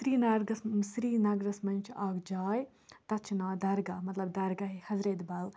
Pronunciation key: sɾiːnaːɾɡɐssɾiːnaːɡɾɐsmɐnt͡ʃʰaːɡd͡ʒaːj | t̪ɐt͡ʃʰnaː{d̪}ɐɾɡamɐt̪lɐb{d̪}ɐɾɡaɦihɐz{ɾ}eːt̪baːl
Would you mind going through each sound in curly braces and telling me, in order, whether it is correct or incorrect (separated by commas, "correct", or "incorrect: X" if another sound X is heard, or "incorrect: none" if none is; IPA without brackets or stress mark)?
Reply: correct, correct, correct